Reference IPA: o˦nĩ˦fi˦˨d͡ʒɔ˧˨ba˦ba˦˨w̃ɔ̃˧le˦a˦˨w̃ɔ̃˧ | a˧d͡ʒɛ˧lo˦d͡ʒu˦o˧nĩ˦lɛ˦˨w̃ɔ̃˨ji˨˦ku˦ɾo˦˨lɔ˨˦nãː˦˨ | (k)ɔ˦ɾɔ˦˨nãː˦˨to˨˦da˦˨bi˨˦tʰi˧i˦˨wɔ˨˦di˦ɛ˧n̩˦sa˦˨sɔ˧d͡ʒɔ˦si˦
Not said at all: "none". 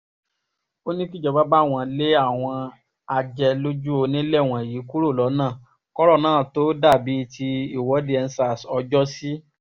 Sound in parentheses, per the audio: k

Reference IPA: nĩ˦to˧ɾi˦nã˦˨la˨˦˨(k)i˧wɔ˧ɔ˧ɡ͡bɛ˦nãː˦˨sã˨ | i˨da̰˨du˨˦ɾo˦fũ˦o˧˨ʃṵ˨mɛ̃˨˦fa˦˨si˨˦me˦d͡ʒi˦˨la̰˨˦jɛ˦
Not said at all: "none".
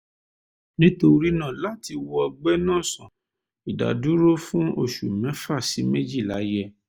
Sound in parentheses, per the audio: t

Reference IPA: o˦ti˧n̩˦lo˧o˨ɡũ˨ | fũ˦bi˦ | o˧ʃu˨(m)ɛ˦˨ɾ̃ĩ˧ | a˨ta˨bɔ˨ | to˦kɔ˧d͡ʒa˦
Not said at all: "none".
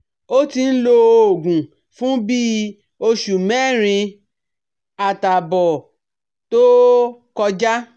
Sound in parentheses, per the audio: m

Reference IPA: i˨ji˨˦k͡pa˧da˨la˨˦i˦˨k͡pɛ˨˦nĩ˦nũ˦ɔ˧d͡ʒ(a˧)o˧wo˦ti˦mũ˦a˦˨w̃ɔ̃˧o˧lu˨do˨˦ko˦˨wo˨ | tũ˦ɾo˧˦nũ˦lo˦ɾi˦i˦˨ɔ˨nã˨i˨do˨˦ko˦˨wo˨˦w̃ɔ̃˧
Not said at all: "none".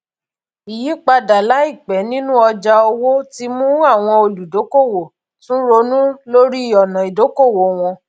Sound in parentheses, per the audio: a˧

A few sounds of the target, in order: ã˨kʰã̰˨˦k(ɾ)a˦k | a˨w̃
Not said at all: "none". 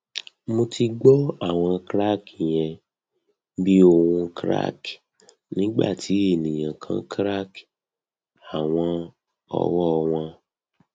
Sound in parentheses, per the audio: ɾ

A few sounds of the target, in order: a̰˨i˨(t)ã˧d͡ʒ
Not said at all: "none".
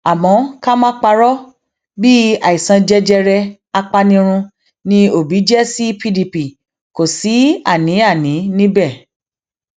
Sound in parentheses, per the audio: s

